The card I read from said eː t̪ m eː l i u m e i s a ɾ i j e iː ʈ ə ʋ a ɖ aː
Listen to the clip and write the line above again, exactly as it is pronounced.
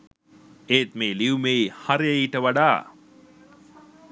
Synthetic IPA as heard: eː t̪ m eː l i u m e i h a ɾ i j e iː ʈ ə ʋ a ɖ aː